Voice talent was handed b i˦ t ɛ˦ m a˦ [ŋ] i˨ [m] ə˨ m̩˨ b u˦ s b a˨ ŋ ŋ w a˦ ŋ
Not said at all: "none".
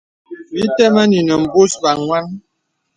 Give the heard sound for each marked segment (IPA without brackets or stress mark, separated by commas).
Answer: n, n